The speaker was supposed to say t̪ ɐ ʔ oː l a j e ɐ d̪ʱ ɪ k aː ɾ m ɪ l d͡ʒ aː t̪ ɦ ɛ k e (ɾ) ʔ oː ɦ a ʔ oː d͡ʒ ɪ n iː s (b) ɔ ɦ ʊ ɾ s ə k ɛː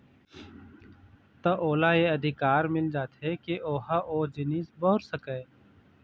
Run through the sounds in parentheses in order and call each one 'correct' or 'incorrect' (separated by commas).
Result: incorrect, correct